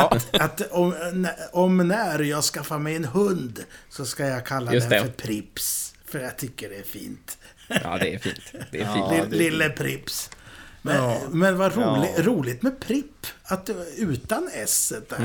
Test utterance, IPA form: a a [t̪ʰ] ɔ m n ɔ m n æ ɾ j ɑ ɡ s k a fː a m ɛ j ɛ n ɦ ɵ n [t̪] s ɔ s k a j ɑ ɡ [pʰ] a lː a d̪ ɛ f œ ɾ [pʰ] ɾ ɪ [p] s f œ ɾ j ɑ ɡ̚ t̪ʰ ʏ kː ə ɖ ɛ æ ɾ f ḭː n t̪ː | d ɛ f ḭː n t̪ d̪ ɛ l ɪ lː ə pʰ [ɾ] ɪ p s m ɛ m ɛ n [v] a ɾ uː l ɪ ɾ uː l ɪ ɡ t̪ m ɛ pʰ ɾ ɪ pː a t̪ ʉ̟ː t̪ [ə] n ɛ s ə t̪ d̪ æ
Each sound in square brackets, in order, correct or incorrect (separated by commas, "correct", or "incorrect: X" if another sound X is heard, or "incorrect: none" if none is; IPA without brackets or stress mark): incorrect: t̪, incorrect: d̪, incorrect: kʰ, correct, correct, correct, correct, incorrect: a